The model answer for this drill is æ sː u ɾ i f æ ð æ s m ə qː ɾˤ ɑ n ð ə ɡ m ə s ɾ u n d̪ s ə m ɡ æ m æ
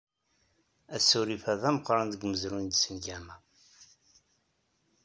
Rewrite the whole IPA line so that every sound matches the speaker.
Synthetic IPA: æ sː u ɾ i f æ ð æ m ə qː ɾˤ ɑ n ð ə ɡ m ə z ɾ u n d̪ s ə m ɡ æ m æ